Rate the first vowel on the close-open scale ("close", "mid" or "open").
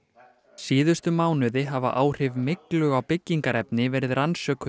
close